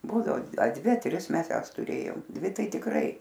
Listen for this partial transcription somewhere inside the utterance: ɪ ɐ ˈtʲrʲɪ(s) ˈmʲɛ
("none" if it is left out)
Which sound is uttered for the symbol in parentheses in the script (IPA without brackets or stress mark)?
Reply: s